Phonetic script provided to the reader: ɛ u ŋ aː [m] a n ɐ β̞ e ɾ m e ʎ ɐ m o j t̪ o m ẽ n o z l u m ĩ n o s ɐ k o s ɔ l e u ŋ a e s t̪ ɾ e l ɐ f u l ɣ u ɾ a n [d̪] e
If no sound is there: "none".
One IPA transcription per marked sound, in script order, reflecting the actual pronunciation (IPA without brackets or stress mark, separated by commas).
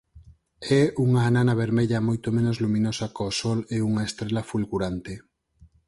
n, t̪